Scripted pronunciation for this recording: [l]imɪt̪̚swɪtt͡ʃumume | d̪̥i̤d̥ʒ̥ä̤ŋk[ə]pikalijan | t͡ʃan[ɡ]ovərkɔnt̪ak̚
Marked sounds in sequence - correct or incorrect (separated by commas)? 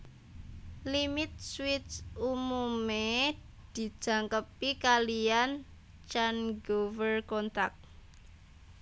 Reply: correct, correct, correct